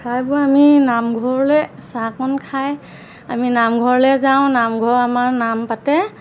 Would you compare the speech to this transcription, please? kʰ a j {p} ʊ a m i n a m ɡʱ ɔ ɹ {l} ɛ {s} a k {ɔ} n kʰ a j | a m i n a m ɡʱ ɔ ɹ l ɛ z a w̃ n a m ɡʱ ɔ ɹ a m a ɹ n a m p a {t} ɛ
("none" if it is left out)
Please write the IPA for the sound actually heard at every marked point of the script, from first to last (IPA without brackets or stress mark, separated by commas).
b, l, s, ɔ, t